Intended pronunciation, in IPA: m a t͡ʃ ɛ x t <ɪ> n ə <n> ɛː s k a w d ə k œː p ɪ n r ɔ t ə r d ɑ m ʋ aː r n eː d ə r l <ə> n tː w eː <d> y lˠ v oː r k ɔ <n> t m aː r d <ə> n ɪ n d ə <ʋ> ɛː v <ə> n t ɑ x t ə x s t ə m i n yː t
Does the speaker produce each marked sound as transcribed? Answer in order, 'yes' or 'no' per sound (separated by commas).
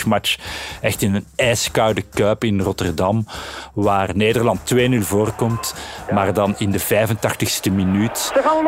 yes, yes, no, no, no, no, no, yes